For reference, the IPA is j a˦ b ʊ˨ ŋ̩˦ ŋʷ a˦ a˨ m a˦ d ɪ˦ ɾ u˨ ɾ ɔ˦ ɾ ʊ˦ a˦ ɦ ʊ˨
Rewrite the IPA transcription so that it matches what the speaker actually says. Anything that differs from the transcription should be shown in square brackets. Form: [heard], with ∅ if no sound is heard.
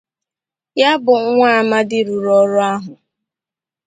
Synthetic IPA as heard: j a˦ b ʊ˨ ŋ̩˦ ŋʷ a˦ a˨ m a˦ d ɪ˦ ɾ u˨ ɾ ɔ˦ ɾ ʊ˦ a˦ ɦ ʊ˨

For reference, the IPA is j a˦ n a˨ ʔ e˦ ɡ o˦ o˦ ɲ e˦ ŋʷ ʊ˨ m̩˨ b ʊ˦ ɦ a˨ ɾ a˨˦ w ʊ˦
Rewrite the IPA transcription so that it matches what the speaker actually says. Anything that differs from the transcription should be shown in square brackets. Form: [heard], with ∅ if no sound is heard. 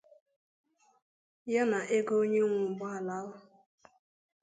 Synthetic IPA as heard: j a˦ n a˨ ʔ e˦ ɡ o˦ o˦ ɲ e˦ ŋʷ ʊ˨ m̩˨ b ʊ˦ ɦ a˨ [l] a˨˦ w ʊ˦

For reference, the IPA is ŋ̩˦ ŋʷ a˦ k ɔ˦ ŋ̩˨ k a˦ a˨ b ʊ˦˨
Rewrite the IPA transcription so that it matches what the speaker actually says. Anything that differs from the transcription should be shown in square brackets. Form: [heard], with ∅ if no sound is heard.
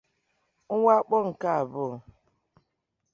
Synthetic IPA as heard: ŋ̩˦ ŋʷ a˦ [k͡p] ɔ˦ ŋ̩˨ k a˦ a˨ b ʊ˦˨

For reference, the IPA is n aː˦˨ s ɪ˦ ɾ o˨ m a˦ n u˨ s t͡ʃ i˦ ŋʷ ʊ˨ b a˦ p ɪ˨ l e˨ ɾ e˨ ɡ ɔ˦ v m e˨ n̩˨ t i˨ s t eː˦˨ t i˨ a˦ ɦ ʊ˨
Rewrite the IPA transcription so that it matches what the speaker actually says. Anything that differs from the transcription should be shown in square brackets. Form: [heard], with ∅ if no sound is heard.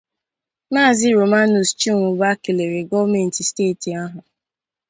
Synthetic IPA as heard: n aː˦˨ [z] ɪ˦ ɾ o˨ m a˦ n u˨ s t͡ʃ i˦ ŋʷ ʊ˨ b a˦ [k] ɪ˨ l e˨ ɾ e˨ ɡ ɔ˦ v m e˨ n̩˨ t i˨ s t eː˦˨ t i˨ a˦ ɦ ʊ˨

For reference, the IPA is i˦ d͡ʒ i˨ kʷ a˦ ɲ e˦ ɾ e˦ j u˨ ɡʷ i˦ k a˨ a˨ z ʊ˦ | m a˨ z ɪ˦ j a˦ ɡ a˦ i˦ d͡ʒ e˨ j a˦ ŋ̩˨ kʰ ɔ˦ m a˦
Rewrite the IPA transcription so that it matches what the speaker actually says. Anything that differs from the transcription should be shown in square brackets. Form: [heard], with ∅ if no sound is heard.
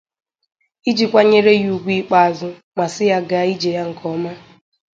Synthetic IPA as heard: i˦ d͡ʒ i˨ kʷ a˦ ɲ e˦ ɾ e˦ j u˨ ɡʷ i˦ [k͡p] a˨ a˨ z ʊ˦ | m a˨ [s] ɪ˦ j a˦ ɡ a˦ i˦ d͡ʒ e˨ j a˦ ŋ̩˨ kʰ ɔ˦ m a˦

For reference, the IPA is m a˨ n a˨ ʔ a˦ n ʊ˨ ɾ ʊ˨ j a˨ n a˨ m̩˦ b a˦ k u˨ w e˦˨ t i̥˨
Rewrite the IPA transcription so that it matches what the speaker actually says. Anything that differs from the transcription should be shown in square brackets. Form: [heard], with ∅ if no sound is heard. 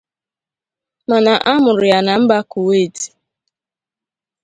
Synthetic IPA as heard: m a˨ n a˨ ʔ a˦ [m] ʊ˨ ɾ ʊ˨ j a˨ n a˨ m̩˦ b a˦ k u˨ w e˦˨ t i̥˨

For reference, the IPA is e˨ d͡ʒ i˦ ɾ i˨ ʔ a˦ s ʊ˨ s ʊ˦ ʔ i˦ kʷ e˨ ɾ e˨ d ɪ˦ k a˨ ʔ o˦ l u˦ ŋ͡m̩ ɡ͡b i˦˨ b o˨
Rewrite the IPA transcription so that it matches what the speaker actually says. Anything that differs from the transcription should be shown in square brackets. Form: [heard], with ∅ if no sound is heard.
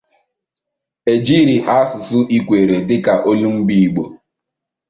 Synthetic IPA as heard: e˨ d͡ʒ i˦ ɾ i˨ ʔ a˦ s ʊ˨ s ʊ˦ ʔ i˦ kʷ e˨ ɾ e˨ d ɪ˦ k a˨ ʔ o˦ l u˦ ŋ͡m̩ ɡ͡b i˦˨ [ɡ͡b] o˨

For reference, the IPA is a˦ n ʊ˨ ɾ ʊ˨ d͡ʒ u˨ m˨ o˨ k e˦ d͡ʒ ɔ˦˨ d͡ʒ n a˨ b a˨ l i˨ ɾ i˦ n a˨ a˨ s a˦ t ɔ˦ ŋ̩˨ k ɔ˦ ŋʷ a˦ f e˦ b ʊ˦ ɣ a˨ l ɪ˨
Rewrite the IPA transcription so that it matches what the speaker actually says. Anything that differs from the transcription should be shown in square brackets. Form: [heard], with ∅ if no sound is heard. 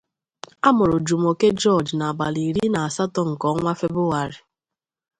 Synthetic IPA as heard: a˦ [m] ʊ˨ ɾ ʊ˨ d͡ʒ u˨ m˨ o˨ k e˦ d͡ʒ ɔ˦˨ d͡ʒ n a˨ b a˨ l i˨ ɾ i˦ n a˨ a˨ s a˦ t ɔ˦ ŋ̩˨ k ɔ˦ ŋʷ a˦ f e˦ b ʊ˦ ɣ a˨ [ɾ] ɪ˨

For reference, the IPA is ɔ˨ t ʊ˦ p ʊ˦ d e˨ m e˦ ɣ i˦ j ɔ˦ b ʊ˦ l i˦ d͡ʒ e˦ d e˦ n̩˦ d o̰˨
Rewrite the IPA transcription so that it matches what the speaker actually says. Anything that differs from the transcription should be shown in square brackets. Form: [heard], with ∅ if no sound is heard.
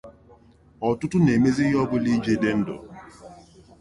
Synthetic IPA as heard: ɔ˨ t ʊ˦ [t] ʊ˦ [n] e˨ m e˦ [z] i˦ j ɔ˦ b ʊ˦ l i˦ d͡ʒ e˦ d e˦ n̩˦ d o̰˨

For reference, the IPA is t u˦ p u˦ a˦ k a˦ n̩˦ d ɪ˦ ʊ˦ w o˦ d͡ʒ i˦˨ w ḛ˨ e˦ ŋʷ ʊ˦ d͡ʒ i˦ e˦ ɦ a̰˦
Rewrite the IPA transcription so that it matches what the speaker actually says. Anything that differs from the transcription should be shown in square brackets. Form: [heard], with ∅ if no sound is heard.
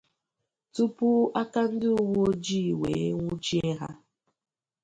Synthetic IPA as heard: t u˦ p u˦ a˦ k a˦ n̩˦ d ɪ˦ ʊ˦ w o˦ d͡ʒ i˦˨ w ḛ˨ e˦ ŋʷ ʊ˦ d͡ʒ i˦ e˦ ɦ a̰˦

